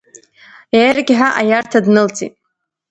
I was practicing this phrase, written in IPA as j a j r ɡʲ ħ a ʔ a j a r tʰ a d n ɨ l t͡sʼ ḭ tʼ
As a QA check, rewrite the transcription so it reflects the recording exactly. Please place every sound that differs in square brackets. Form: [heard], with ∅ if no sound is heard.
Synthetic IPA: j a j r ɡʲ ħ a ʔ a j a r tʰ a d n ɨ l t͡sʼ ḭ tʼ

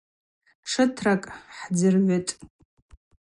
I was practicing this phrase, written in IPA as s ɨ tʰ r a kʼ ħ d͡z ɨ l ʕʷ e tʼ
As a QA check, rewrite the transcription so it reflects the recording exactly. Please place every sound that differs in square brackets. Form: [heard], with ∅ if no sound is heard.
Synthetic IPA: [ʂ] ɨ tʰ r a kʼ ħ d͡z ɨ [r] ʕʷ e tʼ

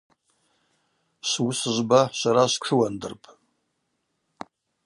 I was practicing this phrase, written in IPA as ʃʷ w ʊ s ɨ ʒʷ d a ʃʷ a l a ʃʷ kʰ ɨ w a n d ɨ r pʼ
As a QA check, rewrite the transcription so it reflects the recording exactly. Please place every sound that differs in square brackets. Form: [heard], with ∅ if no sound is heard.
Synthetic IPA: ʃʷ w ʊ s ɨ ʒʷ [b] a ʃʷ a [ɾ] a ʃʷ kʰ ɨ w a n d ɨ r pʼ

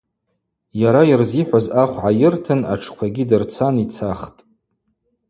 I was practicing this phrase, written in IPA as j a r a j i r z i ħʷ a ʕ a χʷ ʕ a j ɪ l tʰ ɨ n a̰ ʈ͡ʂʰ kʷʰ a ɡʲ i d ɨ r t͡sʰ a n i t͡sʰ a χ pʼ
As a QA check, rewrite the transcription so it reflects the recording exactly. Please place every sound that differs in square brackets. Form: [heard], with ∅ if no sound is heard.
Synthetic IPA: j a [ɾ] a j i r z i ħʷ a [z] a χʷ ʕ a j ɪ [r] tʰ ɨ n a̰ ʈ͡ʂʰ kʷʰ a ɡʲ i d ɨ r t͡sʰ a n i t͡sʰ a χ [tʼ]

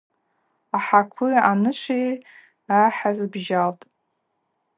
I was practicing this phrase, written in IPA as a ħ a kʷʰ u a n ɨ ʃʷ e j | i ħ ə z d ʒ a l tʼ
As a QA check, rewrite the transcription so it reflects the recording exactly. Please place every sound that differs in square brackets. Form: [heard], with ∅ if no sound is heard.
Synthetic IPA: a ħ a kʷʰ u a n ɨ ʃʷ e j | [a] ħ [a] z [b] ʒ a l tʼ

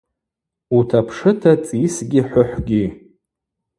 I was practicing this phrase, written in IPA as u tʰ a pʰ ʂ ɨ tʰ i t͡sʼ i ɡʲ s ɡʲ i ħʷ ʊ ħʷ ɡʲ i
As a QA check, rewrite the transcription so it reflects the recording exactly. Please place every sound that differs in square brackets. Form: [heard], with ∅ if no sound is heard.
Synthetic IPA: u tʰ a pʰ ʂ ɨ tʰ [a] t͡sʼ i [∅] s ɡʲ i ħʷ ʊ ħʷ ɡʲ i

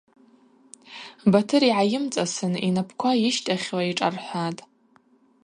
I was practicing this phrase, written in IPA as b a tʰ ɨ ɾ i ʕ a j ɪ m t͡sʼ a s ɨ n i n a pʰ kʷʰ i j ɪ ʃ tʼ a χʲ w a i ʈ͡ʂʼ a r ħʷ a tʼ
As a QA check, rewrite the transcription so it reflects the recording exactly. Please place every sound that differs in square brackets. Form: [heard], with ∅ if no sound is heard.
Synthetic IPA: b a tʰ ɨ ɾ i ʕ a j ɪ m t͡sʼ a s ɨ n i n a pʰ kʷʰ [a] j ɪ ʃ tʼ a χʲ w a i ʈ͡ʂʼ a r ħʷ a tʼ

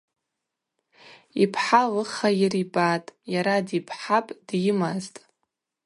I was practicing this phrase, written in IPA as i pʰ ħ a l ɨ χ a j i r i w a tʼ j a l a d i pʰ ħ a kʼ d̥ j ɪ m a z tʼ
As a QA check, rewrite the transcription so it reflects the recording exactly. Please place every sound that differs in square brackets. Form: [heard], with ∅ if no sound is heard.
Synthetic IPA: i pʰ ħ a l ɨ χ a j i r i [b] a tʼ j a [ɾ] a d i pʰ ħ a [pʼ] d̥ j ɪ m a z tʼ

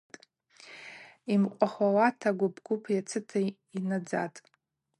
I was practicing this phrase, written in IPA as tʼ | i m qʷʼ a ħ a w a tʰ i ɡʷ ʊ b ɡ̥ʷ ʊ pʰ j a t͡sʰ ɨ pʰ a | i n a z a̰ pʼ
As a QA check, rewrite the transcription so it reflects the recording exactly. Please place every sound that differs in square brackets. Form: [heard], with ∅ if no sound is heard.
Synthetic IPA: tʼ | i m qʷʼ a [χ] a w a tʰ [a] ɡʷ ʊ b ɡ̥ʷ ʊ pʰ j a t͡sʰ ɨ [tʰ] a | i n a [d͡z] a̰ [tʼ]

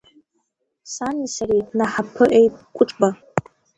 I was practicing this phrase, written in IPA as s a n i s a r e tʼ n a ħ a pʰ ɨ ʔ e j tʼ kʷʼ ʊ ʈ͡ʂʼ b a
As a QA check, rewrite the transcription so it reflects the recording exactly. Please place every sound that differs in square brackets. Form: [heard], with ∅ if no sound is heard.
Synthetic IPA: s a n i s a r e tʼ n a ħ a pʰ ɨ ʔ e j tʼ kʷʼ ʊ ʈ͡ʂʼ b a

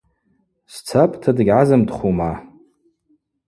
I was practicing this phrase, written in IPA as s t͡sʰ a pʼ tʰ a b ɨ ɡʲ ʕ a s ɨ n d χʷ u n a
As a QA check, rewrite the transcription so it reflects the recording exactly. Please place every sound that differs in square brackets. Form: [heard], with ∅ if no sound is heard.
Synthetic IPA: s t͡sʰ a pʼ tʰ a [d] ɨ ɡʲ ʕ a [z] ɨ [m] d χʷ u [m] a

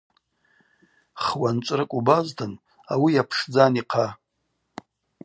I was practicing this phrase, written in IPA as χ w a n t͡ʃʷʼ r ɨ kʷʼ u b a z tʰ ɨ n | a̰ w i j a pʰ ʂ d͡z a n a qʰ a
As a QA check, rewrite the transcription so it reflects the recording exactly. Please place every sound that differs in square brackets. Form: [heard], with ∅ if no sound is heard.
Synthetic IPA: χ w a n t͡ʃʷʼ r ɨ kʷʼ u b a z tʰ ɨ n | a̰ w i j a pʰ ʂ d͡z a n [i] qʰ a

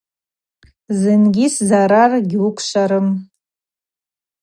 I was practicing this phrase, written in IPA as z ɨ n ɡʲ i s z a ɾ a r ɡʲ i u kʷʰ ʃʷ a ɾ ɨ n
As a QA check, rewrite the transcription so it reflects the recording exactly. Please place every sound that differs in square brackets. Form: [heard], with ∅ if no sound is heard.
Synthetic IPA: z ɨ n ɡʲ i s z a ɾ a r ɡʲ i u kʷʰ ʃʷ a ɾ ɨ [m]

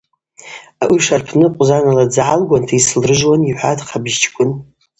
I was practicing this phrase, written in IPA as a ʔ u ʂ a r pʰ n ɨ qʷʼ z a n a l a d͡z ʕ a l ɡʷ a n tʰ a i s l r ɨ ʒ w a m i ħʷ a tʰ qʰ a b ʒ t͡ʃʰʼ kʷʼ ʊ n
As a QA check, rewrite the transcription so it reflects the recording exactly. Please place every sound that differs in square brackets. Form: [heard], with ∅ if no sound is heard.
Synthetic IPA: a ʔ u ʂ a r pʰ n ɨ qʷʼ z a n a l a d͡z ʕ a l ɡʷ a n tʰ a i s l r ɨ ʒ w a [n] i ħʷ a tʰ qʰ a b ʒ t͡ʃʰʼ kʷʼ ʊ n

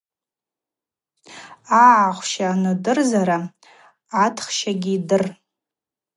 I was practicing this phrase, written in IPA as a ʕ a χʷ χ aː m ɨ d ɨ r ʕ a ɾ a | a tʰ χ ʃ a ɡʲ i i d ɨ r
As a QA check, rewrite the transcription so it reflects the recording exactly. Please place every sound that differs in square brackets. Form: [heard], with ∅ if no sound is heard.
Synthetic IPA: a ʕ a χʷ [ʃ] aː [n] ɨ d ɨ r [z] a ɾ a | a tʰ χ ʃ a ɡʲ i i d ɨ r

